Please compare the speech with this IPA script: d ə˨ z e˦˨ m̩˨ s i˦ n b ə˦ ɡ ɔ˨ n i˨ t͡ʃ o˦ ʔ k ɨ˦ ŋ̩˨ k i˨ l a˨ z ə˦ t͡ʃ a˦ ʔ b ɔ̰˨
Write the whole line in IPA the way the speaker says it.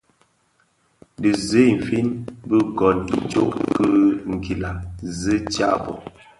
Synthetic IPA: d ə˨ z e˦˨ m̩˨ f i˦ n b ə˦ ɡ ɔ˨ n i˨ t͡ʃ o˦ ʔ k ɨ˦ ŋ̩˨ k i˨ l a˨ z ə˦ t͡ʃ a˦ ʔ b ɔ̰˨